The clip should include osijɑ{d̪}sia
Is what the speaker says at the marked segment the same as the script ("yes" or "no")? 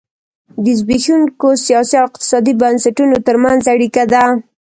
no